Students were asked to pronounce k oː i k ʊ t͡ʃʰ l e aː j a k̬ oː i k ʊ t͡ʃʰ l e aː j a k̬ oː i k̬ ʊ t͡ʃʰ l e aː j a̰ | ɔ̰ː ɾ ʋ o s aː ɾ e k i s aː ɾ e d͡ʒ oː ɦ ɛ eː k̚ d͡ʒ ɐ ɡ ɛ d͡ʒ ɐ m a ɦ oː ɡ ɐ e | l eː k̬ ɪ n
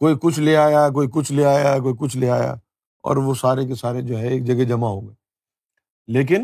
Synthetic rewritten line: k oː i k ʊ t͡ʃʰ l e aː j a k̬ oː i k ʊ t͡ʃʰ l e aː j a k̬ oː i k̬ ʊ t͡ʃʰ l e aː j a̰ | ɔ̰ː ɾ ʋ o s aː ɾ e k e s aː ɾ e d͡ʒ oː ɦ ɛ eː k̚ d͡ʒ ɐ ɡ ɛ d͡ʒ ɐ m a ɦ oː ɡ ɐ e | l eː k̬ ɪ n